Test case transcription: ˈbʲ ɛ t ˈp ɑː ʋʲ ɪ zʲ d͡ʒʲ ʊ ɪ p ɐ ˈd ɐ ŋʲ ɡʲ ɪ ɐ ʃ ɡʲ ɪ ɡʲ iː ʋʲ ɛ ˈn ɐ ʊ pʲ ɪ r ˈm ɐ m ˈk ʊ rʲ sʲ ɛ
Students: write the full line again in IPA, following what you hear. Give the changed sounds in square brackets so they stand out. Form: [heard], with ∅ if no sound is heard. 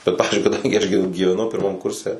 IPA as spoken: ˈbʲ ɛ t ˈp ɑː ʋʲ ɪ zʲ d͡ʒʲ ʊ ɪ [k] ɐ ˈd ɐ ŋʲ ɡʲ ɪ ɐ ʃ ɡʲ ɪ ɡʲ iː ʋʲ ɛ ˈn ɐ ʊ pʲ ɪ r ˈm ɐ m ˈk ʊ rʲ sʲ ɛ